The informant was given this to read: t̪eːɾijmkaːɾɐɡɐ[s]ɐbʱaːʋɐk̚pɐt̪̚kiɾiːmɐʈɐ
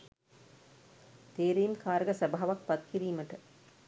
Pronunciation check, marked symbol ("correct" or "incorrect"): correct